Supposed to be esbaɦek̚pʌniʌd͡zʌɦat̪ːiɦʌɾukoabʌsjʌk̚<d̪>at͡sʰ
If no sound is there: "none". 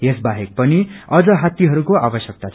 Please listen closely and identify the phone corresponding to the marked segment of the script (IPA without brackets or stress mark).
t̪